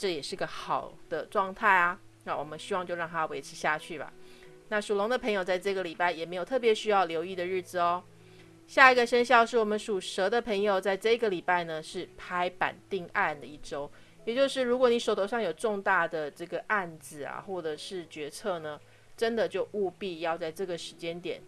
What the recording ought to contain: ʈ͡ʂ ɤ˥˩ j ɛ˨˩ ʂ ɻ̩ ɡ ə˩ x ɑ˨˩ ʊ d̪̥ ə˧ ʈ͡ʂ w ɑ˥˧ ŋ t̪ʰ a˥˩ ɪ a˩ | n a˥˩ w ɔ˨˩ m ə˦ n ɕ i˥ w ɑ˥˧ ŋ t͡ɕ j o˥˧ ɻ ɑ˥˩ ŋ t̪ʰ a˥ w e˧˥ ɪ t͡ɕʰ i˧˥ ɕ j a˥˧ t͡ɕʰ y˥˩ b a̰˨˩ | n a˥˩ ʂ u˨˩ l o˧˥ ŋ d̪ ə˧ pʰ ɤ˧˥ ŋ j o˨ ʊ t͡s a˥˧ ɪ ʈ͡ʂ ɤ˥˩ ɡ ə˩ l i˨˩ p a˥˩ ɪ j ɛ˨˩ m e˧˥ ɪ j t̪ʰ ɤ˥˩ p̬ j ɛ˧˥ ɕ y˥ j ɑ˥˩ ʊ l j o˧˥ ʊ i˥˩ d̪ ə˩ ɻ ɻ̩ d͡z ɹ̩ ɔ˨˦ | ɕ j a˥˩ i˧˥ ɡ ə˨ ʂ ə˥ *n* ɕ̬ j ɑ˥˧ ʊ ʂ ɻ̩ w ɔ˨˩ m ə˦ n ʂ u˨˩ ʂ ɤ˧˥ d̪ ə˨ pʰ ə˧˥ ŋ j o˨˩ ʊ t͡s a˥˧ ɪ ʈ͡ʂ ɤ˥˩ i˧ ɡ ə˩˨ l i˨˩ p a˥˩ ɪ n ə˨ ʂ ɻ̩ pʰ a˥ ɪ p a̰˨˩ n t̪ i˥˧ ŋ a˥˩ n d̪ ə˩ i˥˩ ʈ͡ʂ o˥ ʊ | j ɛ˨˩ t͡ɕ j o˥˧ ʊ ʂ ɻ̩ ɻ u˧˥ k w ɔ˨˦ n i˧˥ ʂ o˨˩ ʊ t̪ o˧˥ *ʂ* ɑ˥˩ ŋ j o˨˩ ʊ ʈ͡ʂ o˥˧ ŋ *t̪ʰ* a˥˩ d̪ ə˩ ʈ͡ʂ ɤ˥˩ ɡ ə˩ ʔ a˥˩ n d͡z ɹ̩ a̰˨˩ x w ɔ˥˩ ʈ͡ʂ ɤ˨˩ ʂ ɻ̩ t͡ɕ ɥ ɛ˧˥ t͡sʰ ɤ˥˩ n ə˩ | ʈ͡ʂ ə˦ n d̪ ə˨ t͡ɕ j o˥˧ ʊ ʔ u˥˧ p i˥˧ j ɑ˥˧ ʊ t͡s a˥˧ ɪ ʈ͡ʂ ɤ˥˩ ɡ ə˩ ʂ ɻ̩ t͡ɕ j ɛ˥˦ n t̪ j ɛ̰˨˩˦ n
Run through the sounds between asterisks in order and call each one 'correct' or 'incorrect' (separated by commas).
correct, correct, incorrect